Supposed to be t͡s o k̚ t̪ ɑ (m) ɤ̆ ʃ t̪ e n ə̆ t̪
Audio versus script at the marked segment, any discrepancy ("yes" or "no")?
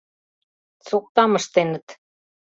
no